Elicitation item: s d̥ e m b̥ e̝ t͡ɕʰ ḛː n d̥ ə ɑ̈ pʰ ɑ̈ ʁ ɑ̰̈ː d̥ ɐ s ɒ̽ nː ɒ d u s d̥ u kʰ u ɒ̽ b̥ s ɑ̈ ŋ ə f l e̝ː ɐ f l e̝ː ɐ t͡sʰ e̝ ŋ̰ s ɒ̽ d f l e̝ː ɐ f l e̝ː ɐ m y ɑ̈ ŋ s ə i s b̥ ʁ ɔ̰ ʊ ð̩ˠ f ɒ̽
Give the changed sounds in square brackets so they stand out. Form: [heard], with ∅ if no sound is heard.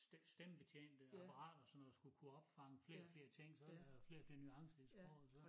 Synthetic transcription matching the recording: s d̥ e m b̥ e̝ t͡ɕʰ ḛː n d̥ ə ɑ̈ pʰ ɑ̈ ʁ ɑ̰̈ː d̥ ɐ s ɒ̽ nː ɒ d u s [ɡ̥] u kʰ u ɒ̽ b̥ [f] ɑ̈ ŋ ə f l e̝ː ɐ f l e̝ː ɐ t͡sʰ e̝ ŋ̰ s ɒ̽ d f l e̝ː ɐ f l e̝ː ɐ [n] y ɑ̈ ŋ s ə i s b̥ ʁ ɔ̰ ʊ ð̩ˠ [s] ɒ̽